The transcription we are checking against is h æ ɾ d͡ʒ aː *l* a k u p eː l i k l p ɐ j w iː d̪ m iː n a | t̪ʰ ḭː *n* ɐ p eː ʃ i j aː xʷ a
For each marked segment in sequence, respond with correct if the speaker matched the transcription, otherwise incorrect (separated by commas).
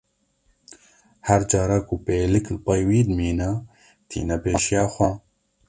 incorrect, correct